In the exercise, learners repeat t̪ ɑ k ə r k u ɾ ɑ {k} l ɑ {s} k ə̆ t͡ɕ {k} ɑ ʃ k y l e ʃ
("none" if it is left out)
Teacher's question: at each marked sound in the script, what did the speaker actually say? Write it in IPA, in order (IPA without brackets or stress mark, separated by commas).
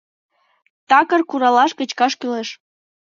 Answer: none, ʃ, k